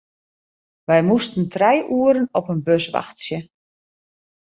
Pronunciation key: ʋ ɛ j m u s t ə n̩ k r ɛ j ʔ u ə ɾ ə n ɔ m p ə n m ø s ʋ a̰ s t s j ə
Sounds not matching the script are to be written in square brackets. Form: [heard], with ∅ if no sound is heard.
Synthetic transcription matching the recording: ʋ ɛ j m u s t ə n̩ [t] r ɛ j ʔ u ə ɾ ə n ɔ [∅] p ə n [b] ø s ʋ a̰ [x] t s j ə

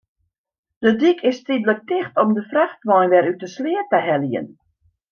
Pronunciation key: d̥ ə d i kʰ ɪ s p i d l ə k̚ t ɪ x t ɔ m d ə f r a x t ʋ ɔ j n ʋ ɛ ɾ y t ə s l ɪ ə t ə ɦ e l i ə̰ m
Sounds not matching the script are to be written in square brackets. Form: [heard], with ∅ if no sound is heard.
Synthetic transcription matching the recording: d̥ ə d i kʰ ɪ s [t] i d l ə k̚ t ɪ x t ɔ m d ə f r a x t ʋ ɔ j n ʋ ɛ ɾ y t ə s l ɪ ə t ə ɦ [ɛ] l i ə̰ [n]

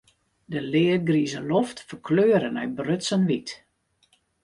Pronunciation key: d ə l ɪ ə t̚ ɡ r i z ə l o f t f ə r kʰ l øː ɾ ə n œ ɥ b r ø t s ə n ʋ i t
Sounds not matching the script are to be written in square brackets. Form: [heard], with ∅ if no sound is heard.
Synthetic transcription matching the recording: d ə l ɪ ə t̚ ɡ r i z ə l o f t f ə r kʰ l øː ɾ ə n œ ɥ b r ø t s ə n ʋ i t

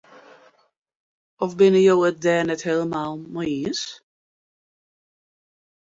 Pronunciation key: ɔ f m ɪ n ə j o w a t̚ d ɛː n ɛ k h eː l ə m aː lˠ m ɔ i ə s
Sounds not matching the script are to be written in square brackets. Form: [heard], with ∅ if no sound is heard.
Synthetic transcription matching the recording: ɔ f [b] ɪ n ə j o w [ə] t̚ d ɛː n ɛ [t] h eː l ə m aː lˠ m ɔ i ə s

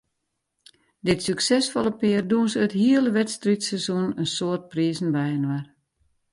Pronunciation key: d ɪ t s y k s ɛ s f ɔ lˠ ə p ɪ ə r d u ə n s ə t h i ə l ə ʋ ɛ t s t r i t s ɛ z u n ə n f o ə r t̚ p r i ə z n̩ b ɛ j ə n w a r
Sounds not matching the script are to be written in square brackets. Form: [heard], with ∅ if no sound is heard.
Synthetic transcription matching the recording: d ɪ t s y k s ɛ s f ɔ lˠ ə p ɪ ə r d u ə n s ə t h i ə l ə ʋ ɛ t s t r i t s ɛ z u n ə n [s] o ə r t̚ p r i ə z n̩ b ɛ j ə n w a r

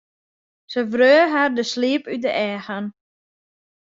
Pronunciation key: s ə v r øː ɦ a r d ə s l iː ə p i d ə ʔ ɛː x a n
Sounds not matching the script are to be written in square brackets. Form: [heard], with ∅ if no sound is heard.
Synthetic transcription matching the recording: s ə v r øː ɦ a r d ə s l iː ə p [y] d ə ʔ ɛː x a n

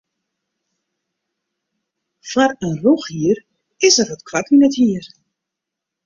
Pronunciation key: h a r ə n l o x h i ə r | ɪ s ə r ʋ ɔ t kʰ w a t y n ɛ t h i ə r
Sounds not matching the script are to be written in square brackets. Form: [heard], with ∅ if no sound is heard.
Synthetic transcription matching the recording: [f] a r ə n [r] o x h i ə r | ɪ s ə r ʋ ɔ t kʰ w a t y n ɛ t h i ə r

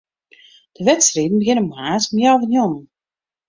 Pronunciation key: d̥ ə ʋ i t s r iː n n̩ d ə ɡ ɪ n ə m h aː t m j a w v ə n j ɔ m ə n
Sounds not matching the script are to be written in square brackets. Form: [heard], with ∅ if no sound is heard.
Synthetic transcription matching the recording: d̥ ə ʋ [ɛ] t s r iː [d] n̩ [b] ə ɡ ɪ n ə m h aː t m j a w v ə n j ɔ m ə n

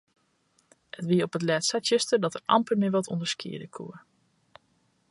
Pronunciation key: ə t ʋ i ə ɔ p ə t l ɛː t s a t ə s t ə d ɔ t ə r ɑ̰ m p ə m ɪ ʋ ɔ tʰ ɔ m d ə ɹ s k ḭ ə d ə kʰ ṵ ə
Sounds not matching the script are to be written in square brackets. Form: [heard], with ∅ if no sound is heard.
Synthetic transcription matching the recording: ə t ʋ i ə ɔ p ə t l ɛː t s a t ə s t ə d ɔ t ə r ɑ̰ m p ə m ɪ ʋ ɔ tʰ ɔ [n] d ə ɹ s k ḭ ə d ə kʰ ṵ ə

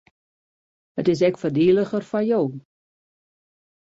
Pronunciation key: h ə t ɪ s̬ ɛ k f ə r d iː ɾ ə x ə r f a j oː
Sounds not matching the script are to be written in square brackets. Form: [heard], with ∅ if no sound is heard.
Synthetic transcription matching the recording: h ə t ɪ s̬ ɛ k f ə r d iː [l] ə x ə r f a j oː

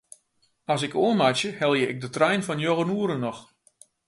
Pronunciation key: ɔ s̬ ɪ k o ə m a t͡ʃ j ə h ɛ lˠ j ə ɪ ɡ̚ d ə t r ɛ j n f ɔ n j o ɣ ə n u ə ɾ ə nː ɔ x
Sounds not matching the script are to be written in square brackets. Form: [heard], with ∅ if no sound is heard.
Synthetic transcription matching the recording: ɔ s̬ ɪ k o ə m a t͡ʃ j ə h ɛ lˠ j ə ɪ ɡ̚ d ə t r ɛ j n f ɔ n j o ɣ ə n u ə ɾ ə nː ɔ x

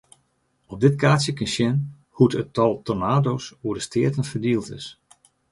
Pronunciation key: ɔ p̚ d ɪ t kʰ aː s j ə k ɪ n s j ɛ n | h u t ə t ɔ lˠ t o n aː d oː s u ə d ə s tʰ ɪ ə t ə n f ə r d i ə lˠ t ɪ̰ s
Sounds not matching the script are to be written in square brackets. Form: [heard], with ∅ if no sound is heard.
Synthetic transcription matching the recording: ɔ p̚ d ɪ t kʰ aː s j ə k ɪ n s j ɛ n | h u t ə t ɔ lˠ t o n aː d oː s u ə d ə s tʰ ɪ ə t ə n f ə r d i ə lˠ t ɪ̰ s

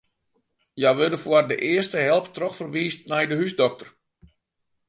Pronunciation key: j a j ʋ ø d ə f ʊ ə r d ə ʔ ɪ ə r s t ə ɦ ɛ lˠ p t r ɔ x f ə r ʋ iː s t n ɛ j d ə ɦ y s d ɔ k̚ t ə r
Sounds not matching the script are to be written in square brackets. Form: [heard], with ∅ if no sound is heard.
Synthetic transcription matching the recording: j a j ʋ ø d ə f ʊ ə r d ə ʔ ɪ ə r s t ə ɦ ɛ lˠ p t r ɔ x f ə r ʋ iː s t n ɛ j d ə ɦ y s d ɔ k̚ t ə r

